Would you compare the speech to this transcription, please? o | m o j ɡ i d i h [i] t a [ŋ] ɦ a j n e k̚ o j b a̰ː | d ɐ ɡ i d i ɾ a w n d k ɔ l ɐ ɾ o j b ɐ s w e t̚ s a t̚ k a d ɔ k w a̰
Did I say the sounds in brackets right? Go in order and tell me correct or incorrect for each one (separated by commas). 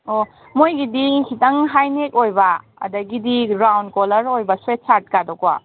correct, correct